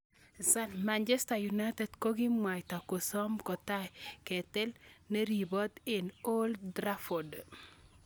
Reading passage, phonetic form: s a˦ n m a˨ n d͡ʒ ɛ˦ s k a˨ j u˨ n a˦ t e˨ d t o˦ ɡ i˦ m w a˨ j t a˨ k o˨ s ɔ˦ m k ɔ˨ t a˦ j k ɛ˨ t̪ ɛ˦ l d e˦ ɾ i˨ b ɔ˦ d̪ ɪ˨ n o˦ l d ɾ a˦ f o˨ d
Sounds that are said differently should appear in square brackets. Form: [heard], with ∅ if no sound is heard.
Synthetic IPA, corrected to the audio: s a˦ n m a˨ n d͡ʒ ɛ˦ s [t] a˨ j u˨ n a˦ t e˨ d [k] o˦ ɡ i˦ m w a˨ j t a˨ k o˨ s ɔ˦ m k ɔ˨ t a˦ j k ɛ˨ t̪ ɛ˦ l [n] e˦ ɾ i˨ b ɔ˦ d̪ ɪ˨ n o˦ l d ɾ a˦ f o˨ d

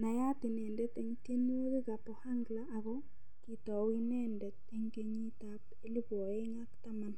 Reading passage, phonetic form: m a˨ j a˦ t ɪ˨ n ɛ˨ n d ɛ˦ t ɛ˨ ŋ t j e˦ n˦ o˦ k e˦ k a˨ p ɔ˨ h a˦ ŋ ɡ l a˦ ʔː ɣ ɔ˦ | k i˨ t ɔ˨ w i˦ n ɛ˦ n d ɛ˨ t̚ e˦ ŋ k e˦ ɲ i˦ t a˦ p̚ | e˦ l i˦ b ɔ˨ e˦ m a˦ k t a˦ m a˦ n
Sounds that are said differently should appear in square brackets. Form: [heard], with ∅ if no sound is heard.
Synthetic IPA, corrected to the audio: [n] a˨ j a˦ t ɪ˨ n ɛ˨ n d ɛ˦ t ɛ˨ ŋ t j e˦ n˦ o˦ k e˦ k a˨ p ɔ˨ h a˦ ŋ ɡ l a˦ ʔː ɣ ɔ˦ | k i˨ t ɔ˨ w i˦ n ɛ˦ n d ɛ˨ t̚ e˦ ŋ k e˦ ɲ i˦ t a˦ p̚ | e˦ l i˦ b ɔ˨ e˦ [ŋ] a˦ k t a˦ m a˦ n

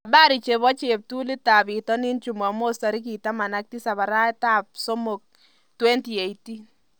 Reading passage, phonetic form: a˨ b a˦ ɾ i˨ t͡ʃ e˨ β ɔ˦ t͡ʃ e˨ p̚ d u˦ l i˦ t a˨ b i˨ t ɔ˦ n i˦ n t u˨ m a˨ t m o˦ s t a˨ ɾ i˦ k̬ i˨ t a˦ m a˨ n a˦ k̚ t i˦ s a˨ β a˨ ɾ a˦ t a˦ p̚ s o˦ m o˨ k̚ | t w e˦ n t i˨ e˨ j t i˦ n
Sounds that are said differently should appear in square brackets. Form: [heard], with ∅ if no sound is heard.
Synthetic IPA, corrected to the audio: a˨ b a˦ ɾ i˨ t͡ʃ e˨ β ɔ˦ t͡ʃ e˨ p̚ [t] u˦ l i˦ t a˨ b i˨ t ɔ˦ n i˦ n [t͡ʃ] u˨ m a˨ [∅] m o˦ s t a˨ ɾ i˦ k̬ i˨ t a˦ m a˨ n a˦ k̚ t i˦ s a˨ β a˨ ɾ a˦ t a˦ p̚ s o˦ m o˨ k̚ | t w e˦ n t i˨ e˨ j t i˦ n

